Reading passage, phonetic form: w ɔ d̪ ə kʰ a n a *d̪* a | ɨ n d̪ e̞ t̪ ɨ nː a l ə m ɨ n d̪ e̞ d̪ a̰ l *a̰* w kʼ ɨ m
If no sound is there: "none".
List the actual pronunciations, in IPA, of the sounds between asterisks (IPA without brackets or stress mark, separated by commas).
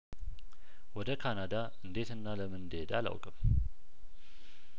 d̪, a̰